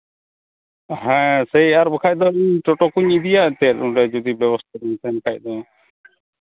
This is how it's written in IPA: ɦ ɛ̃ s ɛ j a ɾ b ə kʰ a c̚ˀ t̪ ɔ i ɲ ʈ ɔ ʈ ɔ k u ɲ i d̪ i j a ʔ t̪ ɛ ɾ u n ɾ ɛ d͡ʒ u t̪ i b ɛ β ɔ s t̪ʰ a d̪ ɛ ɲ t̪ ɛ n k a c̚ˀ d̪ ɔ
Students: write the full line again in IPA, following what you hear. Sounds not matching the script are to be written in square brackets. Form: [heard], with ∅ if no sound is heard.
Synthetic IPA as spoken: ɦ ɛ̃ s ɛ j a ɾ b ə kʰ a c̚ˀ [d̪] ɔ i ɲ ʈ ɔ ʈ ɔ k u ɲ i d̪ i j a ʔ t̪ ɛ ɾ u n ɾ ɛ d͡ʒ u [d̪] i b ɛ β ɔ s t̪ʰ a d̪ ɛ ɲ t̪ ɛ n k a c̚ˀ d̪ ɔ